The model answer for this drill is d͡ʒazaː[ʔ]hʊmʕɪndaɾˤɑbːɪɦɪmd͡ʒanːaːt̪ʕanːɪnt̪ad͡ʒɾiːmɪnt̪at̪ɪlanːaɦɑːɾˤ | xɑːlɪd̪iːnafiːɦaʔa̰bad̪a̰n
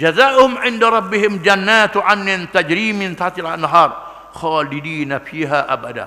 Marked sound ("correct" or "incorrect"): correct